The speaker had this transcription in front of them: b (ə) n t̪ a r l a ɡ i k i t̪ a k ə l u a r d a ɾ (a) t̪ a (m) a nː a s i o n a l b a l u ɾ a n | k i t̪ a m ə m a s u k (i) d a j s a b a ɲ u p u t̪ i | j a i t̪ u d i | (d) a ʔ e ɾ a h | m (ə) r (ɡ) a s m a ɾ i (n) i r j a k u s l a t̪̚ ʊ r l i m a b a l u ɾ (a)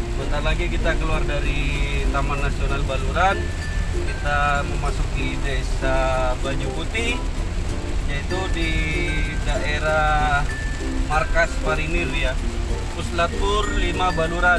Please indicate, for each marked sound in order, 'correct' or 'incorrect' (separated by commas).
correct, incorrect, correct, correct, correct, incorrect, incorrect, correct, correct